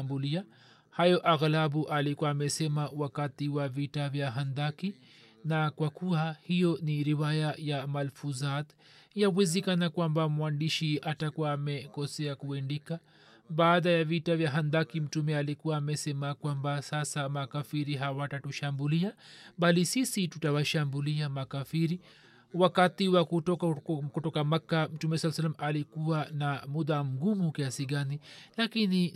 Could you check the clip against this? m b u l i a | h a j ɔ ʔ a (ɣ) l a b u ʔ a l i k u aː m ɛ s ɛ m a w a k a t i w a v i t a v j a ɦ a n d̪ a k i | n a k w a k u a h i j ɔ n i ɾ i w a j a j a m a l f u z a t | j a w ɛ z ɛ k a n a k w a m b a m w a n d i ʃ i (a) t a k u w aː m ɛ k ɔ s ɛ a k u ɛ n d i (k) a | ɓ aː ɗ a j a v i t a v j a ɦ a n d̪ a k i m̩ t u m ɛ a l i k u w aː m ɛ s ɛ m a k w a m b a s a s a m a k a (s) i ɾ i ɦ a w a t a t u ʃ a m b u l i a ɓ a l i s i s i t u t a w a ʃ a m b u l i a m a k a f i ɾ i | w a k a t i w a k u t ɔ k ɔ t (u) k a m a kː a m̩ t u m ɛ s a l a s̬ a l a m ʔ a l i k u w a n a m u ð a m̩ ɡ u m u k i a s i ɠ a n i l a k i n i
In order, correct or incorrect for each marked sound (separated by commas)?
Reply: correct, correct, correct, incorrect, incorrect